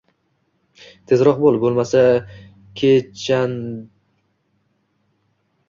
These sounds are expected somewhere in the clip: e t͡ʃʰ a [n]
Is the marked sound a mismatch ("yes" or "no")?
no